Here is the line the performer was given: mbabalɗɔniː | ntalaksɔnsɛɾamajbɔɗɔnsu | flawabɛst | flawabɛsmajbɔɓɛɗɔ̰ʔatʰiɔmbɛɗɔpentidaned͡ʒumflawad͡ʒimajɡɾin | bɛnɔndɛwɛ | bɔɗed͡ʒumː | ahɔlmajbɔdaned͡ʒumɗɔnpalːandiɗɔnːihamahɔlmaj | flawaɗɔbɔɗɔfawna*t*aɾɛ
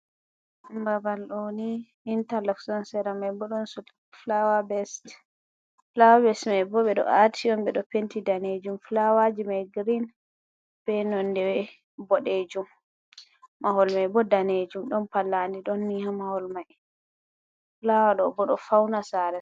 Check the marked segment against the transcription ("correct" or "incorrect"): incorrect